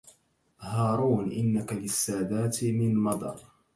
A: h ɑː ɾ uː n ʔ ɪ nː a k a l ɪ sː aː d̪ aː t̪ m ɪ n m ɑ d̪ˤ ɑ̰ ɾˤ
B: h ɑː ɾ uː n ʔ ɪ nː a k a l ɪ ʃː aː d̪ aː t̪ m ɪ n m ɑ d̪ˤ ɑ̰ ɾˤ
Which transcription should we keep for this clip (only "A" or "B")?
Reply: A